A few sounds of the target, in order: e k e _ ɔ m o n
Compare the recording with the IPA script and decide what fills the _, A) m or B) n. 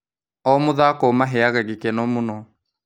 B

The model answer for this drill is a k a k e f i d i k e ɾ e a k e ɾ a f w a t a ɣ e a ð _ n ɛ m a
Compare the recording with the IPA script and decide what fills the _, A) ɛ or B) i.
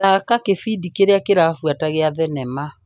A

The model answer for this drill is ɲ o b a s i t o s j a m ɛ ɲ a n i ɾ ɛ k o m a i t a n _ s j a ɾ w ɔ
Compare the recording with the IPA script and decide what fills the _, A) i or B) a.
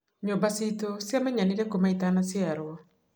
B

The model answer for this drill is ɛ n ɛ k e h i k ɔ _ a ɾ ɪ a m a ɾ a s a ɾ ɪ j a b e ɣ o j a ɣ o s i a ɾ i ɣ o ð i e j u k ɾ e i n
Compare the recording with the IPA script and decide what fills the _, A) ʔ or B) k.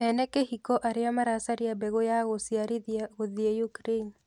A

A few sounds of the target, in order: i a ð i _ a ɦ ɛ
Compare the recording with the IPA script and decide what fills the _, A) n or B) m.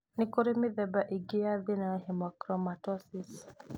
A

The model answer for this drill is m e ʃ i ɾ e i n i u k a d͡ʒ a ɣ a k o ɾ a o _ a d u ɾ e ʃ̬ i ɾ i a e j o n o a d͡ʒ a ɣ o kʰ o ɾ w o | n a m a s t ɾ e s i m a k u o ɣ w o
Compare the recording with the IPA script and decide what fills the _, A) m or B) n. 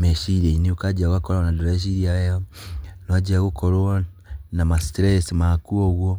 B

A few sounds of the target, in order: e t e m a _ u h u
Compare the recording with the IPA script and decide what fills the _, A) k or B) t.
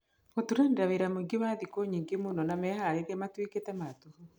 B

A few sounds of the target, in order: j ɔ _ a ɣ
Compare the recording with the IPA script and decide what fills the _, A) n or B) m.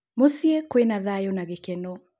A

